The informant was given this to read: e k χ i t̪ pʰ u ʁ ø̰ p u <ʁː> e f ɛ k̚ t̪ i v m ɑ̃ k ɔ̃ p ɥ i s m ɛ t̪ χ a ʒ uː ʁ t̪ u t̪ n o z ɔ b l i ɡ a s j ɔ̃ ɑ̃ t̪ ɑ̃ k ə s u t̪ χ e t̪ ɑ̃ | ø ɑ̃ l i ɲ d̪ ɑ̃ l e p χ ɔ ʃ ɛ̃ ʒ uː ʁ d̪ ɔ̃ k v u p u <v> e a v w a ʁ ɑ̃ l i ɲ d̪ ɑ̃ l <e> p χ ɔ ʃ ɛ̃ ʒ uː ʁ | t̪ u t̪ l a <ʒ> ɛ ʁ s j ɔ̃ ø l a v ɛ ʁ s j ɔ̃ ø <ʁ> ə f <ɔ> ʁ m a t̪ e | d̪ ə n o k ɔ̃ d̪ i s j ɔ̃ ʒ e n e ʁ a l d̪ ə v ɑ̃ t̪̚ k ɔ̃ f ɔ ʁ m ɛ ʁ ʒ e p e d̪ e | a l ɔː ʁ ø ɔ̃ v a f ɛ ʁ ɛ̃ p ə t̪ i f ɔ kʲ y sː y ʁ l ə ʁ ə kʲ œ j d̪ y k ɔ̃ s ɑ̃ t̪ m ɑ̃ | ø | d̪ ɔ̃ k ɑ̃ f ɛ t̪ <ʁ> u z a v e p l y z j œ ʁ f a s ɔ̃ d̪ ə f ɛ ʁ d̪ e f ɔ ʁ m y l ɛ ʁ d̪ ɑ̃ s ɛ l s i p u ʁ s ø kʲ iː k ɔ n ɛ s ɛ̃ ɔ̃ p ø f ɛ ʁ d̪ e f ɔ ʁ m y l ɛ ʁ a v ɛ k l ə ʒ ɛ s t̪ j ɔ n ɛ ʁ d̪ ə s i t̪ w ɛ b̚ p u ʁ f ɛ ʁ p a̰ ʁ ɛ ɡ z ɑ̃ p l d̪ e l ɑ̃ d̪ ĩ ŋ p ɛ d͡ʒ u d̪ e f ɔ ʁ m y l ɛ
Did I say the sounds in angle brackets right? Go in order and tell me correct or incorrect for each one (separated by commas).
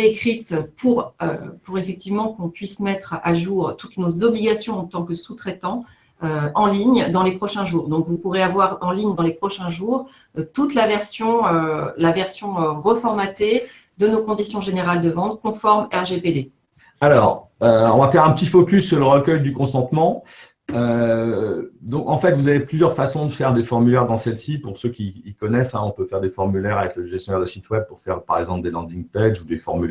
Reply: incorrect, incorrect, correct, incorrect, correct, correct, incorrect